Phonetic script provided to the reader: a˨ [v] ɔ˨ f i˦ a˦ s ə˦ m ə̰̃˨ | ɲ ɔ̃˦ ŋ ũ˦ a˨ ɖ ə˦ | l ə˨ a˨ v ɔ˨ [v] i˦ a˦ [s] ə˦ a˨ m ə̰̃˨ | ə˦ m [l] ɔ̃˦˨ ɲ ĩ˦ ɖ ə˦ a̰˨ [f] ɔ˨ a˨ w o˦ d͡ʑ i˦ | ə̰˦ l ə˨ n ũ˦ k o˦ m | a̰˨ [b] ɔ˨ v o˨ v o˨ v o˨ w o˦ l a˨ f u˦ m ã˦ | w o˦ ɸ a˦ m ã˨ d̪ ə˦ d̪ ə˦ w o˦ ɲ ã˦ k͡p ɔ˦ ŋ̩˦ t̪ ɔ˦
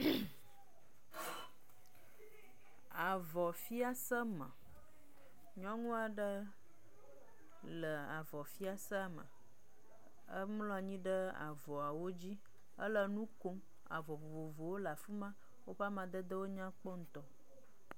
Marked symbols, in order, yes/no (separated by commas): yes, no, yes, yes, no, no